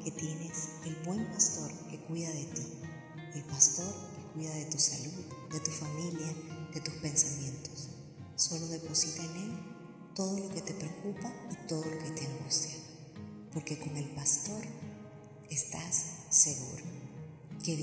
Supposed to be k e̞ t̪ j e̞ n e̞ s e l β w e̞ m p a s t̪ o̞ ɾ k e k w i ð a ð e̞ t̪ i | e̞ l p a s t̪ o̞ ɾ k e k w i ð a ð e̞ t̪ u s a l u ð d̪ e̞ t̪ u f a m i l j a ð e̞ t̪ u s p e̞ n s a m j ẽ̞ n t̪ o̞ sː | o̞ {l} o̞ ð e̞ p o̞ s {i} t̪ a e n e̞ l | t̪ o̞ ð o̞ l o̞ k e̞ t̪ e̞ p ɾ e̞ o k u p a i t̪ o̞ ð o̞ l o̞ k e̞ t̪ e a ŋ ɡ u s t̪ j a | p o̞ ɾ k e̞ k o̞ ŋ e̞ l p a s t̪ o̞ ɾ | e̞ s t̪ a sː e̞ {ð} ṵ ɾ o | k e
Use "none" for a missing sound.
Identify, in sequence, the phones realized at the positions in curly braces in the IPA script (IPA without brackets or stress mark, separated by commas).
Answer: l, i, ɣ